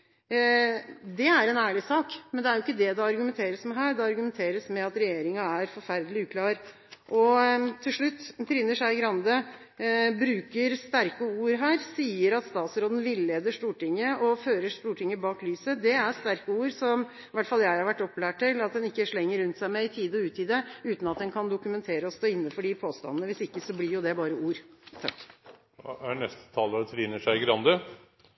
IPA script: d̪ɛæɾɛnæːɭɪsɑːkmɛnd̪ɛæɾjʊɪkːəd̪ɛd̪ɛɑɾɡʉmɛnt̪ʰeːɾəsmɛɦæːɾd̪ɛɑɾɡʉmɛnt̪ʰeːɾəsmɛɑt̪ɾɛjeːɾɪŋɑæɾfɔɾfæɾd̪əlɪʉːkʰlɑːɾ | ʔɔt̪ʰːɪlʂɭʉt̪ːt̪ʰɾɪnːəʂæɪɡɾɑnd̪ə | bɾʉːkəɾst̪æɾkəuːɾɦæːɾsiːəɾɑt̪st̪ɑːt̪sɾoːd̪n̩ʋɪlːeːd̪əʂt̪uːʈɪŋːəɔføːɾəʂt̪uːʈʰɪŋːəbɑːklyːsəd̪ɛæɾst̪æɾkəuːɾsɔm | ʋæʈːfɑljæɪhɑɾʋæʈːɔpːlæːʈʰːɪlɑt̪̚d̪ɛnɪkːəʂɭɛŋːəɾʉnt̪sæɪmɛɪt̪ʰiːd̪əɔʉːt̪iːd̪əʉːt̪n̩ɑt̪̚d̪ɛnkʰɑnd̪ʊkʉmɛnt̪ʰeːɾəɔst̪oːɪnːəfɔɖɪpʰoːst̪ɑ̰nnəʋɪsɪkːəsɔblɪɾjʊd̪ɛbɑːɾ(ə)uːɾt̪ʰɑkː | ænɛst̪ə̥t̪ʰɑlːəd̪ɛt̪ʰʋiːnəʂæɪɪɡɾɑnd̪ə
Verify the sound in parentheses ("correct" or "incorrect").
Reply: correct